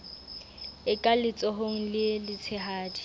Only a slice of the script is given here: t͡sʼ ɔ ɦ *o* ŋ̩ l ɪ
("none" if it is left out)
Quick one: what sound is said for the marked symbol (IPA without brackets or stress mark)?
o